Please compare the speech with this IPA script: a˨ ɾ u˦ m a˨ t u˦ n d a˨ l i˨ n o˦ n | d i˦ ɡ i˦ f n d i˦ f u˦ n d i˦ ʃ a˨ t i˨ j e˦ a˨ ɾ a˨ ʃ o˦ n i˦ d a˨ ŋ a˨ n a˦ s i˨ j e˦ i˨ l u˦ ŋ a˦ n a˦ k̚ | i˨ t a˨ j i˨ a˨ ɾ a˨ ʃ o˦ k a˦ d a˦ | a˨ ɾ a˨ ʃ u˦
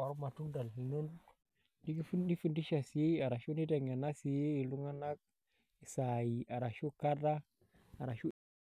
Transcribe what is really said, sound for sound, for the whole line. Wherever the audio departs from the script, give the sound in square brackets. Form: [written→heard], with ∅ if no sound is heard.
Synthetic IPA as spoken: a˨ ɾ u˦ m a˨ t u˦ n d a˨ l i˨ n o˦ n | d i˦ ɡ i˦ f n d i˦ f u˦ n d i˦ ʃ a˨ [t→s] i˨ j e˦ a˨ ɾ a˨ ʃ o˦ n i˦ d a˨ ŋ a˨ n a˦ s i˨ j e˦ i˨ l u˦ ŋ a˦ n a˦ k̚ | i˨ [t→s] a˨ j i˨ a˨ ɾ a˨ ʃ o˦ k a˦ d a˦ | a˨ ɾ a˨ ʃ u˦